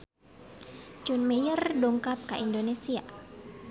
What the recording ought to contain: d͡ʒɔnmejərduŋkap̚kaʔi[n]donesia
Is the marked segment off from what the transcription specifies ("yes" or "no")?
no